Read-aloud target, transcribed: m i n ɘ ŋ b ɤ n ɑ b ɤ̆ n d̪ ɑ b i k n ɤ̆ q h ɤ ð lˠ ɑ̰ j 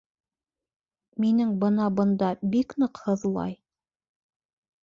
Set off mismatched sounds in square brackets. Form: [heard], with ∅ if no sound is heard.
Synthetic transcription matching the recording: m i n ɘ ŋ b ɤ n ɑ b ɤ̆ n d̪ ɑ b i k n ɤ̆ q h ɤ ð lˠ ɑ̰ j